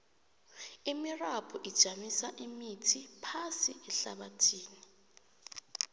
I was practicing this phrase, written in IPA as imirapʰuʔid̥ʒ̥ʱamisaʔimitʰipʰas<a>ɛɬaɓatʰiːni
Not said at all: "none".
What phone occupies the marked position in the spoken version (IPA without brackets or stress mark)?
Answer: i